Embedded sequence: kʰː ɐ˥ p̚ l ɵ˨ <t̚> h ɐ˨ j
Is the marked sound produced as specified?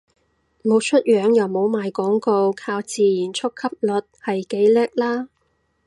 yes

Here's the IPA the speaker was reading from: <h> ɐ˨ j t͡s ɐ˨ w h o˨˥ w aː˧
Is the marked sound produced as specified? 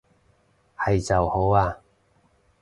yes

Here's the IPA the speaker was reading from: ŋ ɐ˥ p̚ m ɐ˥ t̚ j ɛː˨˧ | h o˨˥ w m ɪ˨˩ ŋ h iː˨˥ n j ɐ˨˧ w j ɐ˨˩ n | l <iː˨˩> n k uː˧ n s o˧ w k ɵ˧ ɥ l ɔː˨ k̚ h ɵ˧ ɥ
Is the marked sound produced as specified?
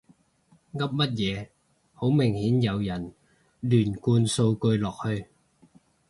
no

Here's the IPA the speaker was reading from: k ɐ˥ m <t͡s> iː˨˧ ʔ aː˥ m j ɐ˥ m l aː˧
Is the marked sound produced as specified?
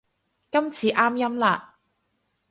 no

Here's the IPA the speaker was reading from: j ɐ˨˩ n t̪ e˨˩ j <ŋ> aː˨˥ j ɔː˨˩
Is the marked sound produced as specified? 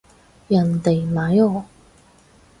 no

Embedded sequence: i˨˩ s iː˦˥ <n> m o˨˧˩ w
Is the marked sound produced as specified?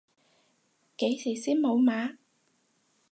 yes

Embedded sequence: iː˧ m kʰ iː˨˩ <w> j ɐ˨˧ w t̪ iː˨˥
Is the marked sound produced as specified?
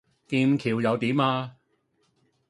yes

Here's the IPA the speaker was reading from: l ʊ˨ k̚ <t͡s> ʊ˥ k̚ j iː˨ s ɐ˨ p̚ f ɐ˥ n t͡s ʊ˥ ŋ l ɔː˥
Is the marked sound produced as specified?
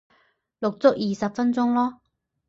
yes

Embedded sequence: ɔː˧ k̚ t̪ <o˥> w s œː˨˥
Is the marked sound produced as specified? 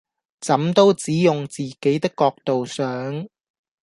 no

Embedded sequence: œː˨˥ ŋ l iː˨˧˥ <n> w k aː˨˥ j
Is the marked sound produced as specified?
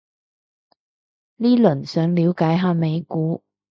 no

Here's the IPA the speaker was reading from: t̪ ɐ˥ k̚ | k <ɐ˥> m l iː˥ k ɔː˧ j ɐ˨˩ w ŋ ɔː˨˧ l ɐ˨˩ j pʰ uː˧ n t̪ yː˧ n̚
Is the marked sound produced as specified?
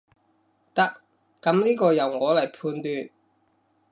no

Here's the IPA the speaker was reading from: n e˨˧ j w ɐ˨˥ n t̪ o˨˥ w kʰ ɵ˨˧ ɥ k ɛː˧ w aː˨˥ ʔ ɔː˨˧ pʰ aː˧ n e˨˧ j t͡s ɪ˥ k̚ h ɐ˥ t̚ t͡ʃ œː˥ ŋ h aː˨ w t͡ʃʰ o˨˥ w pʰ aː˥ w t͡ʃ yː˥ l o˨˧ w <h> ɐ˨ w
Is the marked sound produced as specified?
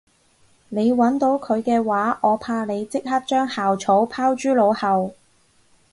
yes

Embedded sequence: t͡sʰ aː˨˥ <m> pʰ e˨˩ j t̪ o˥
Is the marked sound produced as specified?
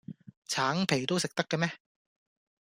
no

